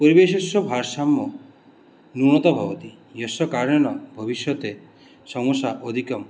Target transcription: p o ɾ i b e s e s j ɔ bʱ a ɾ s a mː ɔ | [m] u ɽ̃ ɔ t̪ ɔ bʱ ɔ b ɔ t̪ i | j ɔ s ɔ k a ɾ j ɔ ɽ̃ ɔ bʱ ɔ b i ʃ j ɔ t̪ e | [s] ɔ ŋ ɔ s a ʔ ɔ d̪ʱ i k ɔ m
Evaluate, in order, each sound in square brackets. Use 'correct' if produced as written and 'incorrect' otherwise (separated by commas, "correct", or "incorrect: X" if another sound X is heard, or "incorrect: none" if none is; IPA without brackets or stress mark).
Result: incorrect: n, correct